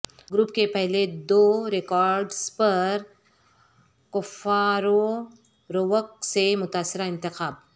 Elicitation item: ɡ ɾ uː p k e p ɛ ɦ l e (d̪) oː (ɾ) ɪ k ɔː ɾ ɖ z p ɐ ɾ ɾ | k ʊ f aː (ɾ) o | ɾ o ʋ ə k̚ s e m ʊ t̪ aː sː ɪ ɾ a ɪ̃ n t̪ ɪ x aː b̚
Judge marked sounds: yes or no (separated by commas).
yes, yes, yes